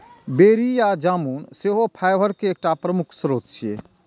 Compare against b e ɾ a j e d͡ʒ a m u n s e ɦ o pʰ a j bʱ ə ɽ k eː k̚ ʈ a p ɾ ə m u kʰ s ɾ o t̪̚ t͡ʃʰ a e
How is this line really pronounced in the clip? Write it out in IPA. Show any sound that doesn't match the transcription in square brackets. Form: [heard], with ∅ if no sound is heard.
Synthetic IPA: b e ɾ [i] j [a] d͡ʒ a m u n s e ɦ o pʰ a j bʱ ə [ɾ] k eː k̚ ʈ a p ɾ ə m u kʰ s ɾ o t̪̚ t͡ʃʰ [i] e